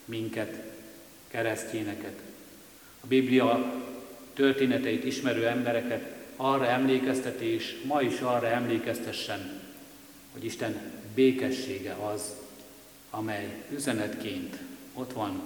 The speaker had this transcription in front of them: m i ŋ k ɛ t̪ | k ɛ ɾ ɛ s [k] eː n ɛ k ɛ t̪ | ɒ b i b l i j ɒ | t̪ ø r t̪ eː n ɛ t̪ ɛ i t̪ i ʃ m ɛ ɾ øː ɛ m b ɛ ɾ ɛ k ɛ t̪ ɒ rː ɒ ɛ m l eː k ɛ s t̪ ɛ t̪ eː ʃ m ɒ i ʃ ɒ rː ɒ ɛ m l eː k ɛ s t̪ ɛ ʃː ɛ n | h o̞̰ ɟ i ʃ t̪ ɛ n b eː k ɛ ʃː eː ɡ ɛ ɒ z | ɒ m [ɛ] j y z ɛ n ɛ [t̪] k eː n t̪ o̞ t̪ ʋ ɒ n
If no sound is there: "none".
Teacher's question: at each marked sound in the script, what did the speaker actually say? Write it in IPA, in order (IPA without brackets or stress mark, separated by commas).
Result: c, ɛ, t̪